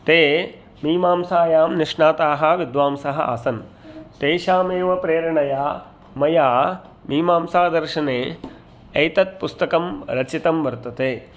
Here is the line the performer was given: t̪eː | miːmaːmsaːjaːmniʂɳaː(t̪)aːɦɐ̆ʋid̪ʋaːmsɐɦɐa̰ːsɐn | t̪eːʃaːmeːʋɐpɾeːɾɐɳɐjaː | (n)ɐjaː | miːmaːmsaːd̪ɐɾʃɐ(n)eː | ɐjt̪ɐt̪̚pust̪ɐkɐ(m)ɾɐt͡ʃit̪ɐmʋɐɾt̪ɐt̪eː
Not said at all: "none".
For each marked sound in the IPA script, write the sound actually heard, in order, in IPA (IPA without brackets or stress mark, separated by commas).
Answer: t̪, m, n, m